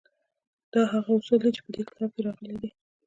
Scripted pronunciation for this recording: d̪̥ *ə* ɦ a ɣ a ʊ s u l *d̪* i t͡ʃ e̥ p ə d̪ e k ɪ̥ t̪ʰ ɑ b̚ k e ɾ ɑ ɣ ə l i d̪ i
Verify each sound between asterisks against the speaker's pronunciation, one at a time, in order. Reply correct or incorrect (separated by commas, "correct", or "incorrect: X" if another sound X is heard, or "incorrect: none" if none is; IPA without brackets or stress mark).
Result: incorrect: ɑ, correct